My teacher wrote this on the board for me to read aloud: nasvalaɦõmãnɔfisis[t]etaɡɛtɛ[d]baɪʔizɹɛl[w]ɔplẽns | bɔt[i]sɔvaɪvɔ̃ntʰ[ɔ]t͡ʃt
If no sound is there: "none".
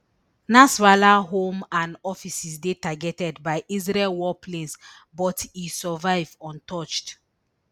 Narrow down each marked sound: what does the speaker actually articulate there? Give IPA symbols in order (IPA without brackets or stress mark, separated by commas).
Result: d, d, w, i, ɔ